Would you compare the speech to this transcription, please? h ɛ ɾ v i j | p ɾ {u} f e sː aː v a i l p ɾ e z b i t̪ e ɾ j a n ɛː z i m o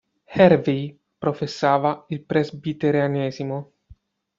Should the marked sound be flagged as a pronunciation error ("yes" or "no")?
yes